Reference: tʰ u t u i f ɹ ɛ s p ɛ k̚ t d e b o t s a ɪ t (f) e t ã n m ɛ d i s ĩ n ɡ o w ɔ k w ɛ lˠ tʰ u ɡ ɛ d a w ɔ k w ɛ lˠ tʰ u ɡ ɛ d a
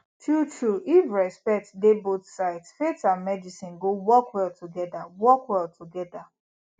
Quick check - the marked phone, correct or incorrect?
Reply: correct